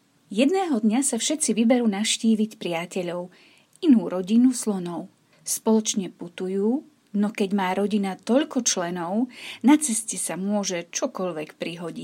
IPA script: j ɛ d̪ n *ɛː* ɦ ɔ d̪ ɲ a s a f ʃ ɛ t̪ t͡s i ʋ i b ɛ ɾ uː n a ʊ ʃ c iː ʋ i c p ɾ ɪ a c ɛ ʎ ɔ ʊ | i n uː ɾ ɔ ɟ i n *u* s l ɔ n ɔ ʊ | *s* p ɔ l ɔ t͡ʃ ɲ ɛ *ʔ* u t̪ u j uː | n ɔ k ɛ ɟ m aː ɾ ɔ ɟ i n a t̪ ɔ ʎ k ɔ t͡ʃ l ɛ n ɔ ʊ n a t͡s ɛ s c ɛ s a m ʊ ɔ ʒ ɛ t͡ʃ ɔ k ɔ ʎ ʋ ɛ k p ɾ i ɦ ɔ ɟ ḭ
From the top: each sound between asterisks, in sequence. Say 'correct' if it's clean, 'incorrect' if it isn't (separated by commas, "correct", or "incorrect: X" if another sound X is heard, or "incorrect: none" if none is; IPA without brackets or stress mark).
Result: correct, correct, correct, incorrect: p